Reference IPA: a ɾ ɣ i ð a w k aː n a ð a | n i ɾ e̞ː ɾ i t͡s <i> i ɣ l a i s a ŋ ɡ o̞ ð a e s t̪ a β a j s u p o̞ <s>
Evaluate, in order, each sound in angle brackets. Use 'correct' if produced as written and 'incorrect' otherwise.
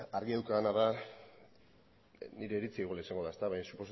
correct, correct

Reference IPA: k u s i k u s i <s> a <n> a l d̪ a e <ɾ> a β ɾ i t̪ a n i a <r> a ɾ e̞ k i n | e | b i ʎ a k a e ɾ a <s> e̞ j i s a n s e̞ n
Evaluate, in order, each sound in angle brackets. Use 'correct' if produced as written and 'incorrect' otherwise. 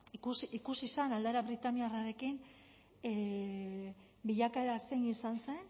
correct, correct, correct, correct, correct

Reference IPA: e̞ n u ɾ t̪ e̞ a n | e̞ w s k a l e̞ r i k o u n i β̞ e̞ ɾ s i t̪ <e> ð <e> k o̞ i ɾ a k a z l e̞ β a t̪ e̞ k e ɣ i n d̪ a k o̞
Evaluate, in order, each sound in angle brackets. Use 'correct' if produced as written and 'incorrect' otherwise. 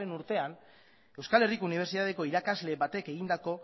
incorrect: a, correct

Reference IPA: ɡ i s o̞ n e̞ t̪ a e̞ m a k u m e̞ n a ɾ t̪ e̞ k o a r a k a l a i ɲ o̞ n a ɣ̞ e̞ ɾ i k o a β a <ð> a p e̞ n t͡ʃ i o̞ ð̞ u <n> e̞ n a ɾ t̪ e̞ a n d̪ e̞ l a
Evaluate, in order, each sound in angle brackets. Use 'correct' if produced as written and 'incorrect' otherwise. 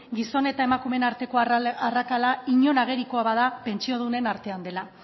correct, correct

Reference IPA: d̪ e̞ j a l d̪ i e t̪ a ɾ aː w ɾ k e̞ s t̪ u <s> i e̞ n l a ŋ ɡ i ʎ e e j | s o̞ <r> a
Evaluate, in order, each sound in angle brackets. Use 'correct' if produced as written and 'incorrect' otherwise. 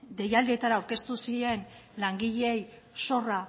correct, correct

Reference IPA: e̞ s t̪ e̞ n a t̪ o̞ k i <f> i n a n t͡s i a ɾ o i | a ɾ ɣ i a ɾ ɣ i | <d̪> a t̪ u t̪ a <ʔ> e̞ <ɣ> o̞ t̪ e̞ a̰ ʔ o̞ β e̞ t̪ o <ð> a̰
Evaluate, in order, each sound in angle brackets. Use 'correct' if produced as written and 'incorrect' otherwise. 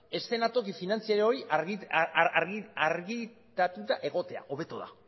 correct, incorrect: t̪, correct, correct, correct

